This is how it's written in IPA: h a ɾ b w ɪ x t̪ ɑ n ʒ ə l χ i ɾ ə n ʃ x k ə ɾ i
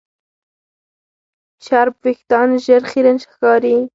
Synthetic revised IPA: ʃ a ɾ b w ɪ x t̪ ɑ n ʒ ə ɾ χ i ɾ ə n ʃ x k ɑ ɾ i